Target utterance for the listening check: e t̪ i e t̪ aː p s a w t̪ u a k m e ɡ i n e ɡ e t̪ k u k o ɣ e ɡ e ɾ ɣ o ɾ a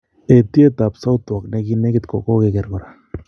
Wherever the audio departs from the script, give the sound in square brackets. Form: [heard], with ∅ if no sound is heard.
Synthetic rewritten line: e t̪ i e t̪ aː p s a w t̪ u a k [n] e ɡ i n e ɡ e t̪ k [o] k o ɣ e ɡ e ɾ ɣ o ɾ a